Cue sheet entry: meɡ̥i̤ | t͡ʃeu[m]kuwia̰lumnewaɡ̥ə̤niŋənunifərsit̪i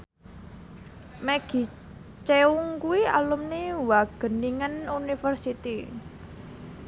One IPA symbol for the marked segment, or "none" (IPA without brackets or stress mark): ŋ